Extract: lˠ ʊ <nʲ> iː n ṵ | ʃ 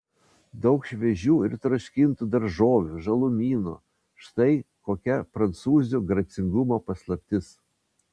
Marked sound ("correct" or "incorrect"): incorrect